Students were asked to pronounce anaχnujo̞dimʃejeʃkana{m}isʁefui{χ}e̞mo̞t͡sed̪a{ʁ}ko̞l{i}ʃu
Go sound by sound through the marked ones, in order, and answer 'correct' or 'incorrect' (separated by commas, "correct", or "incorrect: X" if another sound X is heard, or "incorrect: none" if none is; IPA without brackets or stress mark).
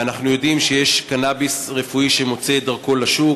incorrect: b, incorrect: ʃ, correct, incorrect: a